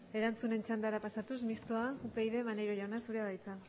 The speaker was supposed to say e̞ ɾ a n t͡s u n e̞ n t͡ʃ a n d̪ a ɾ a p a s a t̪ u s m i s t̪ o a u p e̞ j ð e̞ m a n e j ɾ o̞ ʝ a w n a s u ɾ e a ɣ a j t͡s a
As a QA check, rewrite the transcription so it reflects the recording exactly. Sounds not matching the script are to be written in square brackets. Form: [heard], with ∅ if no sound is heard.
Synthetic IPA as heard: e̞ ɾ a n t͡s u n e̞ n t͡ʃ a n d̪ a ɾ a p a s a t̪ u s m i s t̪ o a u p e̞ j ð e̞ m a n e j ɾ o̞ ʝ a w n a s u ɾ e a [ð] a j t͡s a